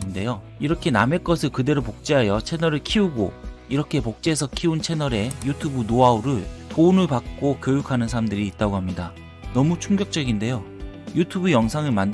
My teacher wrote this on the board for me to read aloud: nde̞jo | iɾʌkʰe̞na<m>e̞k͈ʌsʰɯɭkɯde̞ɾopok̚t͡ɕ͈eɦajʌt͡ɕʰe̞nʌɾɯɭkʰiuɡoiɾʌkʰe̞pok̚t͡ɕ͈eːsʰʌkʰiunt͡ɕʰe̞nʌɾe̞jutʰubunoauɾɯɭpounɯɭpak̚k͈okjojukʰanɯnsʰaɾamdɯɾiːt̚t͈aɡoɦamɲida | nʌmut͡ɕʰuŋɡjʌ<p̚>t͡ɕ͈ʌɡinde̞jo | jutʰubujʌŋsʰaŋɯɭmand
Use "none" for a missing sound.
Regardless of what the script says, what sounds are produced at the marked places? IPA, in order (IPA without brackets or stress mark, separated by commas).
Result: m, k̚